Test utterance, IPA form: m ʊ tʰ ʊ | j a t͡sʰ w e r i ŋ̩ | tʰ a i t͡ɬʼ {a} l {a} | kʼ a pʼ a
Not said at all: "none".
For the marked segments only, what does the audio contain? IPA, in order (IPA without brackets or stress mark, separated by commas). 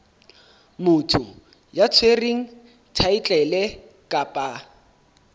ɛ, ɛ